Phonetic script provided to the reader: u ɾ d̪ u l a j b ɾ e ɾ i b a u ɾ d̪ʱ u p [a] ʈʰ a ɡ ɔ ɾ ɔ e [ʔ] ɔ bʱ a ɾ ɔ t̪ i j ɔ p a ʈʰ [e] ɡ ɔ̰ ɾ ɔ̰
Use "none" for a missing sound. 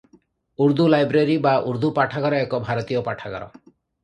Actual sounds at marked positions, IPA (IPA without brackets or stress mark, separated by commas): a, k, a